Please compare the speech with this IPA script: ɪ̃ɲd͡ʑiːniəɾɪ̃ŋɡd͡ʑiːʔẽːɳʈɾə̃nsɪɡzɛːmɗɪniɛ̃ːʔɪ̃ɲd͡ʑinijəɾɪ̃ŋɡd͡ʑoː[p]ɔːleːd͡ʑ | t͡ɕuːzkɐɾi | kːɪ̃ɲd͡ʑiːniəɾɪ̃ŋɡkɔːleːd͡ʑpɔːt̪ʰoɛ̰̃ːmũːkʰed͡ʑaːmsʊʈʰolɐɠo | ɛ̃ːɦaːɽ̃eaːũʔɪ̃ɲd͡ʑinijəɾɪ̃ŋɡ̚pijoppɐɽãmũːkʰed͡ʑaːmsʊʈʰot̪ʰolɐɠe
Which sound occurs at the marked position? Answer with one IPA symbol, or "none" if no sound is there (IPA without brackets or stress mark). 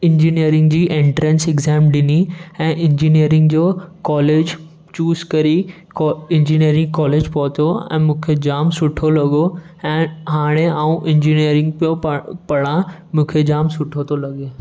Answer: k